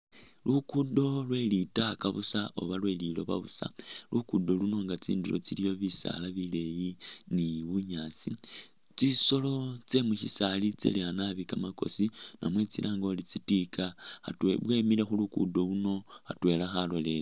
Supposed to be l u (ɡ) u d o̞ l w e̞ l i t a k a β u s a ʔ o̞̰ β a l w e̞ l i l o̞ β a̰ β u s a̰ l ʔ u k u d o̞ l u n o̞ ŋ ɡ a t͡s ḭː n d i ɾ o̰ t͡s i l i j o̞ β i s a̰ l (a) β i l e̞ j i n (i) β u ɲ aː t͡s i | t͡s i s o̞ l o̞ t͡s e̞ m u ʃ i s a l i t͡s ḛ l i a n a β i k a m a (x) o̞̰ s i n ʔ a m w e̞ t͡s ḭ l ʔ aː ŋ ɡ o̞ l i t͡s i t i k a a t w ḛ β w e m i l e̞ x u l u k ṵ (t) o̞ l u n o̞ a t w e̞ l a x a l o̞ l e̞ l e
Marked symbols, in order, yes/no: no, yes, yes, no, no

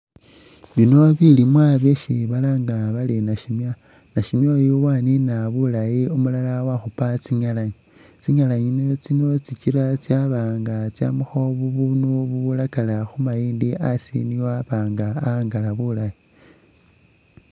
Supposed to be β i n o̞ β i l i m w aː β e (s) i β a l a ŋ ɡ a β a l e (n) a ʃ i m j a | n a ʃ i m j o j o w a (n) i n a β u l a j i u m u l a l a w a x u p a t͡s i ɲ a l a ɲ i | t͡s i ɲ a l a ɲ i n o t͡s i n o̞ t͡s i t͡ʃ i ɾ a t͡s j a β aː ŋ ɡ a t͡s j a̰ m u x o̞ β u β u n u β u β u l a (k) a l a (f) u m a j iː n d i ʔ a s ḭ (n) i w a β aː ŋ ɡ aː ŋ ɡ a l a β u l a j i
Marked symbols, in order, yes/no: no, yes, yes, yes, no, yes

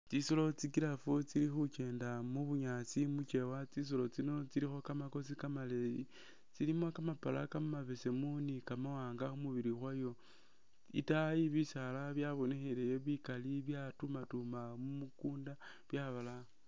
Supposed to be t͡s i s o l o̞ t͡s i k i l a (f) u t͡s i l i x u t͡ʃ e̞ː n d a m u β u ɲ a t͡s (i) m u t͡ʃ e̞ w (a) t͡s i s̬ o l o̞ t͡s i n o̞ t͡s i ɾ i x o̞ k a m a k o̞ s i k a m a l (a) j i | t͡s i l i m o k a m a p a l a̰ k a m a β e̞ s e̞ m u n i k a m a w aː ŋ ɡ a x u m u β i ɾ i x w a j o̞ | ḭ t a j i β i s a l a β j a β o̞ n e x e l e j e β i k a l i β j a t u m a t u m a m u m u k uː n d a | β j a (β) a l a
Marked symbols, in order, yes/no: yes, yes, yes, no, yes

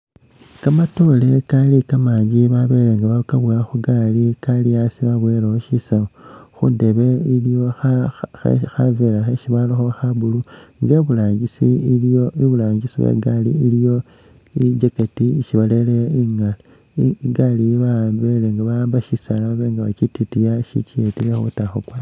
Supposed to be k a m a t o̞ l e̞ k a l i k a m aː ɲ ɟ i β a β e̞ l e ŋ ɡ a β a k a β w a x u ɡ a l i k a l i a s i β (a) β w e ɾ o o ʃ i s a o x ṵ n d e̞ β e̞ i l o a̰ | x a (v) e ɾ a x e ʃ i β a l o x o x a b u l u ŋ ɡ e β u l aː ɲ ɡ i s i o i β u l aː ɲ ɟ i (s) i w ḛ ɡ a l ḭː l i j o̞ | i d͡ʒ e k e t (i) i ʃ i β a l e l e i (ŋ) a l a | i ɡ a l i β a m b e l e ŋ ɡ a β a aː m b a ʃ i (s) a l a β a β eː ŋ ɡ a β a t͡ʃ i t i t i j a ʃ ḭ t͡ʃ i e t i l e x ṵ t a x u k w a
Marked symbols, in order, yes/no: yes, yes, yes, yes, yes, yes

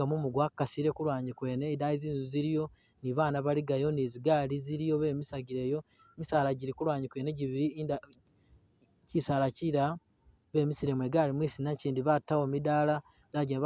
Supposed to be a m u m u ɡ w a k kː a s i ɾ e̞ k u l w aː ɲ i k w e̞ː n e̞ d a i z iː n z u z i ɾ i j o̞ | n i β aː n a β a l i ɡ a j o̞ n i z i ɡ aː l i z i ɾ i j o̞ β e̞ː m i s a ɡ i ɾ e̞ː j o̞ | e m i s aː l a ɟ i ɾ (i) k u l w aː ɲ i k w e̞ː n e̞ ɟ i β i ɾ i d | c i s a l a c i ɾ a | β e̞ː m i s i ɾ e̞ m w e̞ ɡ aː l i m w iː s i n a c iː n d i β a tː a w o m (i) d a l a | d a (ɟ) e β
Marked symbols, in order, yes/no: yes, yes, yes

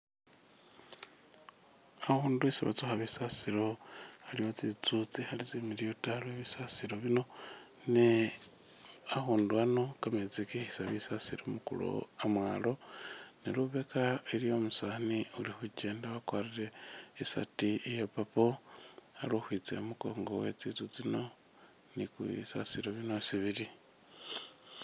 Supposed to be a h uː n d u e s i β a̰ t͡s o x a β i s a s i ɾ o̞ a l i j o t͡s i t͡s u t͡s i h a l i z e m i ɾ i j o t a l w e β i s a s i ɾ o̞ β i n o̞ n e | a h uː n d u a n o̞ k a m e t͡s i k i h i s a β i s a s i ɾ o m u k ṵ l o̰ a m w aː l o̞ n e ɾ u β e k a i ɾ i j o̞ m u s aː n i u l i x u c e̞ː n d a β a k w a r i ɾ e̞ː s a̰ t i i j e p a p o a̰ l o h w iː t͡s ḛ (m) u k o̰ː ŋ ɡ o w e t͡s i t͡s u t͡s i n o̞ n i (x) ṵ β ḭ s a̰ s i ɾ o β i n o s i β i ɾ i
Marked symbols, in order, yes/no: yes, no

